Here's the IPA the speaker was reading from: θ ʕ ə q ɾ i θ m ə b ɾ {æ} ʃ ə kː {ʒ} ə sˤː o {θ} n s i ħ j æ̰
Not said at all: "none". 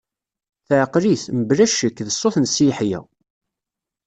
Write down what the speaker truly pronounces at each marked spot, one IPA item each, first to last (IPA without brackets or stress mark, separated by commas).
æ, ð, θ